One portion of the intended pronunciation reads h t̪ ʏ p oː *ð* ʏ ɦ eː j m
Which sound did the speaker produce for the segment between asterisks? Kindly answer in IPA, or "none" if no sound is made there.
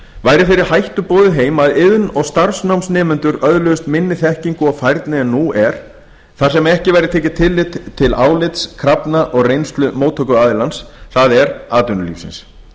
ð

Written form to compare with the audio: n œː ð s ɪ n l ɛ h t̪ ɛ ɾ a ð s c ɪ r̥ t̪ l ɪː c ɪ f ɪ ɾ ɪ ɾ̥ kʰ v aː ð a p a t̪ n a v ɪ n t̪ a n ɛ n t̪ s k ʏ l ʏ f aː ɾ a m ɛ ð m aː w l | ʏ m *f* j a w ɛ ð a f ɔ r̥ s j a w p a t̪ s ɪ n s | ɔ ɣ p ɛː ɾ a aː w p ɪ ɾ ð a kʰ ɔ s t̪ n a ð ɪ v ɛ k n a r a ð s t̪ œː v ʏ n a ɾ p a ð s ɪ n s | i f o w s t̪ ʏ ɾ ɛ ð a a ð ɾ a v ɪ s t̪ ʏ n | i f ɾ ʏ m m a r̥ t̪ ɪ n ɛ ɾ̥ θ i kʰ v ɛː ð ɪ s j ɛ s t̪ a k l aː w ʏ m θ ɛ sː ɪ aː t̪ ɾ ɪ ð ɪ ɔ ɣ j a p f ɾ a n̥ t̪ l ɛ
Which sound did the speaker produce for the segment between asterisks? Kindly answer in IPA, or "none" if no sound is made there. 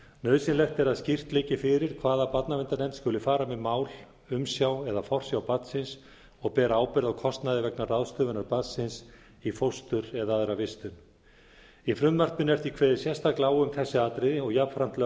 s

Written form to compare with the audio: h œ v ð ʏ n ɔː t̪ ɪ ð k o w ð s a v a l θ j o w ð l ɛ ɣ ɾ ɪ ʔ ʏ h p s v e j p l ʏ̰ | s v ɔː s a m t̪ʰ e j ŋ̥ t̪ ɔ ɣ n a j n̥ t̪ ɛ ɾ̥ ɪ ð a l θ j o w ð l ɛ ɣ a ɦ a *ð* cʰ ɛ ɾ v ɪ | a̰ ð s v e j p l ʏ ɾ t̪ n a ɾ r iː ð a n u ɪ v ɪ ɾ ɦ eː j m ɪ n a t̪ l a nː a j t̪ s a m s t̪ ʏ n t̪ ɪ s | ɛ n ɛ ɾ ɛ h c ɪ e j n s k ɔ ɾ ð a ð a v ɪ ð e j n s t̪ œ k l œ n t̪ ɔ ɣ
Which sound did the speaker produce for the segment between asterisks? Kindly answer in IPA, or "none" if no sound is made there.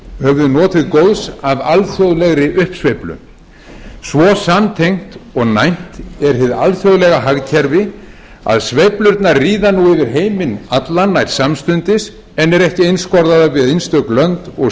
ɣ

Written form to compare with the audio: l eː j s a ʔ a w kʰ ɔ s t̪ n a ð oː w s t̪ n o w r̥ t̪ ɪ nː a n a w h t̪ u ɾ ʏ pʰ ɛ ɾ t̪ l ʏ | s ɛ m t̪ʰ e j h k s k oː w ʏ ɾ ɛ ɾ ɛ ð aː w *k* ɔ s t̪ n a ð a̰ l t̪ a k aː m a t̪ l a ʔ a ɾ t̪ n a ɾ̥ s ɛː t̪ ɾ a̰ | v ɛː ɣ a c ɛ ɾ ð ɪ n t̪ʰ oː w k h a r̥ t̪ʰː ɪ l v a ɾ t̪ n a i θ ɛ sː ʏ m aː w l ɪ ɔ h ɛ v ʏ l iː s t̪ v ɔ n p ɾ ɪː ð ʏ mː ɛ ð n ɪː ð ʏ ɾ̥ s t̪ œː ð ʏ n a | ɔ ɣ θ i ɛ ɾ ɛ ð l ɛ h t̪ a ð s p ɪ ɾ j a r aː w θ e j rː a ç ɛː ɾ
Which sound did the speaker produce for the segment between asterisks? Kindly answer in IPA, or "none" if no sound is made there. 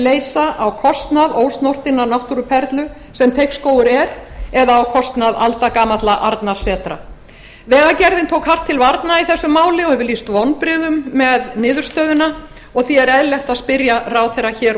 kʰ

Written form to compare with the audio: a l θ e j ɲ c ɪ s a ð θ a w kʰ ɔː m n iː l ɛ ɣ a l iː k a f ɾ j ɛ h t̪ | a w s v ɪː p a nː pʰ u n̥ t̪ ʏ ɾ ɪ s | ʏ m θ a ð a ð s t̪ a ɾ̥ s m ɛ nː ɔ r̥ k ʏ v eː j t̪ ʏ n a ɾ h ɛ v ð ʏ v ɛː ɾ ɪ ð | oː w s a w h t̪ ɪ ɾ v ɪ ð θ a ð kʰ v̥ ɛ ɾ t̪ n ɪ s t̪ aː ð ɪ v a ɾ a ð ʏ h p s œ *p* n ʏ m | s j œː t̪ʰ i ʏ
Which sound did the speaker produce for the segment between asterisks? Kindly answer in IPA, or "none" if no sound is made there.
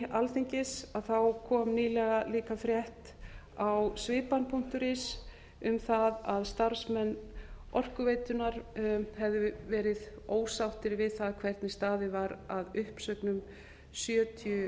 k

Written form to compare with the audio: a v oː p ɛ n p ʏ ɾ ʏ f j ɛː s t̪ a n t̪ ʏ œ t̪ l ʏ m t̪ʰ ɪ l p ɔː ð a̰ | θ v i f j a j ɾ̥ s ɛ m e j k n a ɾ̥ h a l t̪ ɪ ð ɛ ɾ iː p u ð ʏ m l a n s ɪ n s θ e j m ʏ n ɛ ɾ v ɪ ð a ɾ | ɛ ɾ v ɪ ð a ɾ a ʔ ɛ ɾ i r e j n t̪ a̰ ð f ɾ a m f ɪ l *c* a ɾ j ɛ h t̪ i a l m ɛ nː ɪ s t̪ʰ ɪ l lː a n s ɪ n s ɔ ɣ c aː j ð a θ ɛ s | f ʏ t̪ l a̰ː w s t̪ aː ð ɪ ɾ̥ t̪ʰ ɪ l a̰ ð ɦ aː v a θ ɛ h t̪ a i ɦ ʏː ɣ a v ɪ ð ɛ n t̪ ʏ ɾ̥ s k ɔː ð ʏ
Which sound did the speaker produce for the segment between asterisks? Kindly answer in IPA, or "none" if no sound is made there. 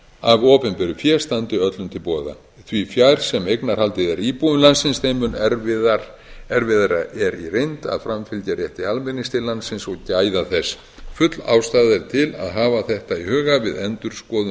c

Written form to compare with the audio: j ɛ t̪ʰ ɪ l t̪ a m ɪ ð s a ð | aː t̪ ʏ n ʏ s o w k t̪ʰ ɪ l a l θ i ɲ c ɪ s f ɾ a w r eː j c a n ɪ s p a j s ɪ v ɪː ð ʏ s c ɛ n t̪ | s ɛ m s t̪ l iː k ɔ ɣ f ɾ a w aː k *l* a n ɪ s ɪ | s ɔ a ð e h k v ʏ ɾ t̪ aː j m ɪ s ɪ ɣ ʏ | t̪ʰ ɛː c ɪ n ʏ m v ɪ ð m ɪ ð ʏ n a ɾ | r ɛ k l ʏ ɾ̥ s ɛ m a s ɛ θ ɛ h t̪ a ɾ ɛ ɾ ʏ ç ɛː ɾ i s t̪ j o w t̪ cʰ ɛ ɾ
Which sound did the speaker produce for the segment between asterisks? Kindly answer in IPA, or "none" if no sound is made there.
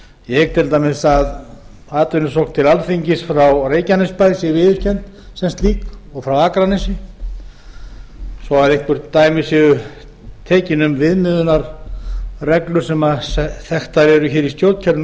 ɾ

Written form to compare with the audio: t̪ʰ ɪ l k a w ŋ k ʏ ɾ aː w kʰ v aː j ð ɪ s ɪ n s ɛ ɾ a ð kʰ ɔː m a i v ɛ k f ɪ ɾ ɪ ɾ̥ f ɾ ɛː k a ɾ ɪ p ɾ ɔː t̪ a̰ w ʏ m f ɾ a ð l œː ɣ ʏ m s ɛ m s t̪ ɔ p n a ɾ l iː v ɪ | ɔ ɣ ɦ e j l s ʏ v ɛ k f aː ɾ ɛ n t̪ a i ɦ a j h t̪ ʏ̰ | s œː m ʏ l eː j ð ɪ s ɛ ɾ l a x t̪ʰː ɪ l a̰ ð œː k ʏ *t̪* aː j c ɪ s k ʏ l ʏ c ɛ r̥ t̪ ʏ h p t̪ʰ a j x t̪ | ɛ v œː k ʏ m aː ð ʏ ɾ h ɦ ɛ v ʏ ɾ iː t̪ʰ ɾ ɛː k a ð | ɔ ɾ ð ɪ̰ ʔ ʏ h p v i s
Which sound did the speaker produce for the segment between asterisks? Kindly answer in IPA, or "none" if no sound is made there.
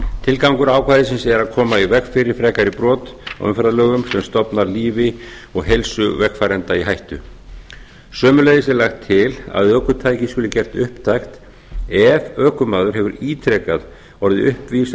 t̪ʰ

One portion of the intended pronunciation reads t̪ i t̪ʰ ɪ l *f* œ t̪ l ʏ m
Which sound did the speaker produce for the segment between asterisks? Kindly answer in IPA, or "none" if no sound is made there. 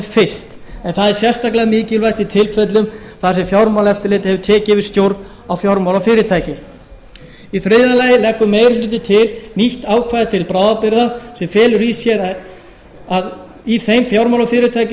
f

